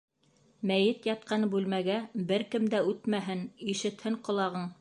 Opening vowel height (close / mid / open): open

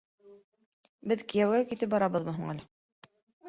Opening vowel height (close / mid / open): mid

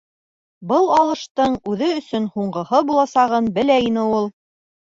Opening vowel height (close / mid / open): mid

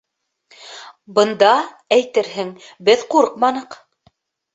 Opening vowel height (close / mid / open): mid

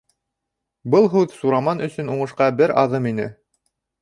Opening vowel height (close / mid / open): mid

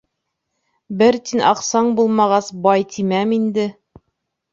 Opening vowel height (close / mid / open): mid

